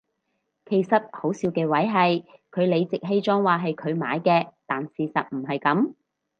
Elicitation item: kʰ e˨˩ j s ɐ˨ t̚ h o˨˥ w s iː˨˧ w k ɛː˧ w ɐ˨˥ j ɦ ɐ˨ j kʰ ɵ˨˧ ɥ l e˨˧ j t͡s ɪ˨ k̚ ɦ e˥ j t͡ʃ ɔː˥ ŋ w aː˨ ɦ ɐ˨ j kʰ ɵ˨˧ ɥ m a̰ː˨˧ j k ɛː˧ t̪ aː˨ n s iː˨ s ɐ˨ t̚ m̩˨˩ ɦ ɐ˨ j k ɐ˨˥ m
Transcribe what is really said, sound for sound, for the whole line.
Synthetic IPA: kʰ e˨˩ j s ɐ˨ t̚ h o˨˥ w s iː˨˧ w k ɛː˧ w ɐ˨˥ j ɦ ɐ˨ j kʰ ɵ˨˧ ɥ l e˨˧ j t͡s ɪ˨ k̚ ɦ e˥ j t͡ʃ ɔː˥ ŋ w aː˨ ɦ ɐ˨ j kʰ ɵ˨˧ ɥ m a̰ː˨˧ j k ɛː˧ t̪ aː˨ n s iː˨ s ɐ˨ t̚ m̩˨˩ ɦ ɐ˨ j k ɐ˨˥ m